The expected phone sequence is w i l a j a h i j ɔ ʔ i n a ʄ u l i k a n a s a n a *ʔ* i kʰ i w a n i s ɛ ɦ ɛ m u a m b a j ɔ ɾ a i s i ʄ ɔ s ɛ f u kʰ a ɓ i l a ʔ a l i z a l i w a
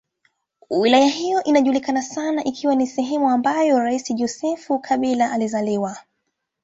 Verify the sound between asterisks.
correct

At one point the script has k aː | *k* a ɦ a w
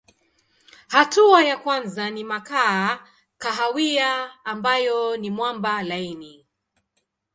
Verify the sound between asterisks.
correct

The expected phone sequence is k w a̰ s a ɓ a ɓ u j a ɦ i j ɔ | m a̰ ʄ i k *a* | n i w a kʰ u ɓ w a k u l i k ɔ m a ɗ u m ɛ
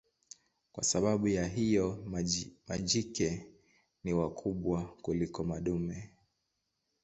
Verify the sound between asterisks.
incorrect: ɛ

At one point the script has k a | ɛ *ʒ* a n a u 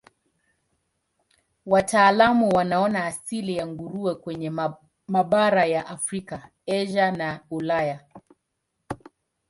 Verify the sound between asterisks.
correct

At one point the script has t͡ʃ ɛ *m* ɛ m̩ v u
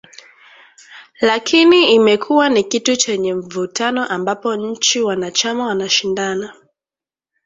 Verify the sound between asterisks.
incorrect: ɲ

